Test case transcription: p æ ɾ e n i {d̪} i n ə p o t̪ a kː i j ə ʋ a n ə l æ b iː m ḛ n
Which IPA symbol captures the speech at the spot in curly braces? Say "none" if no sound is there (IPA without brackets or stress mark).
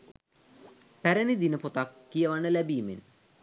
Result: d̪